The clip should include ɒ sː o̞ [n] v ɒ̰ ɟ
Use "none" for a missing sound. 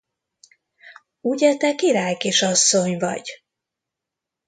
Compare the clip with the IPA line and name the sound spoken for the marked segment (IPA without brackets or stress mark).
ɲ